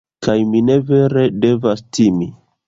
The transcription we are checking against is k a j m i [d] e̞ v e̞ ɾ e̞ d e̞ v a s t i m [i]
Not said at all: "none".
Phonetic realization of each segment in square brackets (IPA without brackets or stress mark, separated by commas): n, i